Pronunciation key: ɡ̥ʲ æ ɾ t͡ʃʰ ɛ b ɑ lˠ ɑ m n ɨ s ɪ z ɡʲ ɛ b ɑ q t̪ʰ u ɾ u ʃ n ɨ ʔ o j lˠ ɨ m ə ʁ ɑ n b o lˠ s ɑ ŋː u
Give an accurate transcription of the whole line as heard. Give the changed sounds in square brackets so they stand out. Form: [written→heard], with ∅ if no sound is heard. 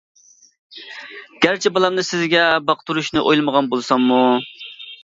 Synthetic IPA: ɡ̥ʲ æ ɾ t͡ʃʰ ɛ b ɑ lˠ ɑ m n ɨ s ɪ z ɡʲ ɛ b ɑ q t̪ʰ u ɾ u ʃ n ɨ ʔ o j lˠ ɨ m ə ʁ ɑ n b o lˠ s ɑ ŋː u